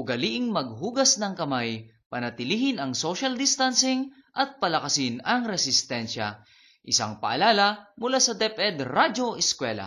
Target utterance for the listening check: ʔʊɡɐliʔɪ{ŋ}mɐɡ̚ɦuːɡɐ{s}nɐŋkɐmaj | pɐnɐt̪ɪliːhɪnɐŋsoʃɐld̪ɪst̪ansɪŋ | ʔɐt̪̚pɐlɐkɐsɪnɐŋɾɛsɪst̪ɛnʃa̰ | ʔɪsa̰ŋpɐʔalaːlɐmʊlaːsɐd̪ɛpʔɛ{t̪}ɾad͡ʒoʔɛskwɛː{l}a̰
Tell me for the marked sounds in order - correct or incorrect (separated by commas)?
correct, correct, incorrect, correct